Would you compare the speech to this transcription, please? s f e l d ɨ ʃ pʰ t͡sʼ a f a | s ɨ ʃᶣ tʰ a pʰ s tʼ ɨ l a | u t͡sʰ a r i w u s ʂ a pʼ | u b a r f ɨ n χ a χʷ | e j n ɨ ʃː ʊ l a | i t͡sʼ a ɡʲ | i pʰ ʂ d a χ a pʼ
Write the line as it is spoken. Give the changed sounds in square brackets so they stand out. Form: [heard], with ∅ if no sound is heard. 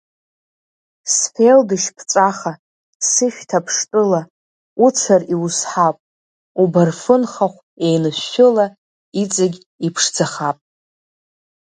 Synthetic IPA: s f e l d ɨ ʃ pʰ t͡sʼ a [χ] a | s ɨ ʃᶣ tʰ a pʰ [ʂ] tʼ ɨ l a | u t͡sʰ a r i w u s [ħ] a pʼ | u b a r f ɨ n χ a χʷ | e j n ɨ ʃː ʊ l a | i t͡sʼ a ɡʲ | i pʰ ʂ [d͡z] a χ a pʼ